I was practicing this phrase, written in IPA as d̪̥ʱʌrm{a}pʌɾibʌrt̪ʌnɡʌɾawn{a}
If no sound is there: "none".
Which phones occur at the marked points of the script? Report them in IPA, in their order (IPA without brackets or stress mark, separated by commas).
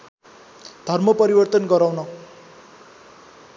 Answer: ʌ, ʌ